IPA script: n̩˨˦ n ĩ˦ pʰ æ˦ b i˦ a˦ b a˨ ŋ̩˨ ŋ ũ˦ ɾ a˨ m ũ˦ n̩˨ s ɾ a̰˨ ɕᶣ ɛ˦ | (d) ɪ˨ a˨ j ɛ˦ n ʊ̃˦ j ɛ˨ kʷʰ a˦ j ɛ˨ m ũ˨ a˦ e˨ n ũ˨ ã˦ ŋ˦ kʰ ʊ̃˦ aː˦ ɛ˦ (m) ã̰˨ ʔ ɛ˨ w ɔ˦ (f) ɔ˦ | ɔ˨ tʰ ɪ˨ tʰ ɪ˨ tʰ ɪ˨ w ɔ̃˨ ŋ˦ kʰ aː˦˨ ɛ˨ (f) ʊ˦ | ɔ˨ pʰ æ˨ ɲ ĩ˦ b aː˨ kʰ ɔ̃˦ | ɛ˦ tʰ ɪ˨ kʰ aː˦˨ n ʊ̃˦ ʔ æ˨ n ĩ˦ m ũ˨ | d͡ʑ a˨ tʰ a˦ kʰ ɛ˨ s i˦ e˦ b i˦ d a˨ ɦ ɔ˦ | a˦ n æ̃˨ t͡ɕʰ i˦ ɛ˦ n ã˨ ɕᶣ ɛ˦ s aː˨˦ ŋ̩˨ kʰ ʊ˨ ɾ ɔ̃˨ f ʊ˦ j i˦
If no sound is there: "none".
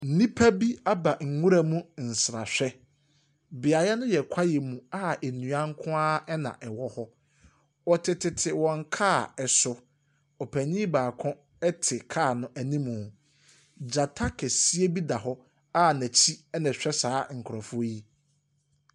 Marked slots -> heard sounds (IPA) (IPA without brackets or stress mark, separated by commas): b, n, h, s